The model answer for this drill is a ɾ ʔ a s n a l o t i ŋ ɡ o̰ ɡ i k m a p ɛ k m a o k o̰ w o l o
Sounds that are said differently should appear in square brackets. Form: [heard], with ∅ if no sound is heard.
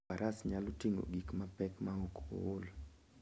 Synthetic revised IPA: a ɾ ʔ a s [ɲ] a l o t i ŋ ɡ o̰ ɡ i k m a p ɛ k m a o k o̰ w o l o